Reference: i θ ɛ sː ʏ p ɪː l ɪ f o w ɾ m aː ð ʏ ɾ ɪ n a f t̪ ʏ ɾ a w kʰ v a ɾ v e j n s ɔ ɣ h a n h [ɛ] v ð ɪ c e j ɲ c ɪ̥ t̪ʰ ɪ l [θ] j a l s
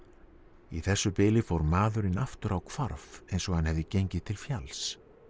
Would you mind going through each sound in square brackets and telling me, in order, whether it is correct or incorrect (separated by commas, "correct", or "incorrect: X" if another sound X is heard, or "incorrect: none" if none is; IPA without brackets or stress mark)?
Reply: correct, incorrect: f